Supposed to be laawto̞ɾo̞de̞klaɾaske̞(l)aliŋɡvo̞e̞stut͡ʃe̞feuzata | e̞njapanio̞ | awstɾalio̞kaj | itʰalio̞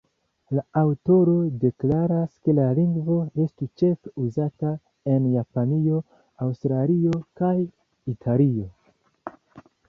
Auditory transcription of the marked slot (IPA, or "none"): l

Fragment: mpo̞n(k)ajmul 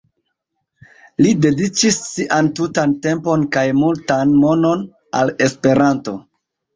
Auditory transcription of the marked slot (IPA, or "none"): k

